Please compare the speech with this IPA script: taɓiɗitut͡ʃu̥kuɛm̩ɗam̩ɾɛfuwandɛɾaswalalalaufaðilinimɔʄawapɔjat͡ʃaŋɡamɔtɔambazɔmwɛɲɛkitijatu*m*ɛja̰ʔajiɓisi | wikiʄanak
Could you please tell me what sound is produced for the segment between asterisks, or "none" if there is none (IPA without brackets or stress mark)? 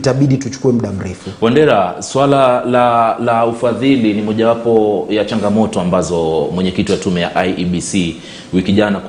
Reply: m